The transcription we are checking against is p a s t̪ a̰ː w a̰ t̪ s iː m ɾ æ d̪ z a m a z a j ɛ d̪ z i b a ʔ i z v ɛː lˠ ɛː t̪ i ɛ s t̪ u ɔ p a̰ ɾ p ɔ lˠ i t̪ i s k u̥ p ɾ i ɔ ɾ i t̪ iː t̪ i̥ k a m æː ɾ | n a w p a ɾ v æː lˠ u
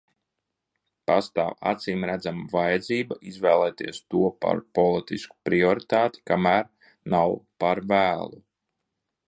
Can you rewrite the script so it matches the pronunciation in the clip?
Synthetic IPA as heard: p a s t̪ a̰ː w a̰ t̪ s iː m ɾ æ d̪ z a m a v a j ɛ d̪ z iː b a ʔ i z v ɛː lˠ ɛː t̪ i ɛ s t̪ u ɔ p a̰ ɾ p ɔ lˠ i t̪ i s k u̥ p ɾ i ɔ ɾ i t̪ aː t̪ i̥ k a m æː ɾ | n a w p a ɾ v æː lˠ u